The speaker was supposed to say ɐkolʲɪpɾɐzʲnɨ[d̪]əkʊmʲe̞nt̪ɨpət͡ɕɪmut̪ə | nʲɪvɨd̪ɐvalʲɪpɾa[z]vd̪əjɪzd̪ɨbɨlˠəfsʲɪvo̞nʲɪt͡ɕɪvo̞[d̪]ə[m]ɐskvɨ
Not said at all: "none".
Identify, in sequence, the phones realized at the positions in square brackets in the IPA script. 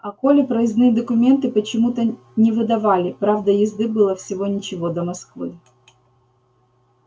d̪, none, d̪, m

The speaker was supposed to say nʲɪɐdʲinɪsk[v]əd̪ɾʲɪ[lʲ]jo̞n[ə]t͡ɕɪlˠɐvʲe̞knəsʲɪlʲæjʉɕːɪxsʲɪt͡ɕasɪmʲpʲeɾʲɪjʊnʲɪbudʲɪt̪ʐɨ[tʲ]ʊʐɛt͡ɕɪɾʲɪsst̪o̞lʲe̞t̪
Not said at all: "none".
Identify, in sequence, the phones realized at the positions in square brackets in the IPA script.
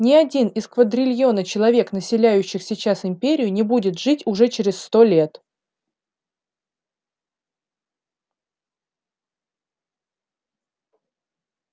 v, lʲ, ə, tʲ

